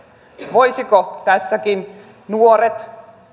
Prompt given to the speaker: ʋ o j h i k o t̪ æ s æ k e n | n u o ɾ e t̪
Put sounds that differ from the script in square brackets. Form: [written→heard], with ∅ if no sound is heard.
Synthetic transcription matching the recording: ʋ o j [h→s] i k o t̪ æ [s→sː] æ k [e→i] n | n u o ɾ e t̪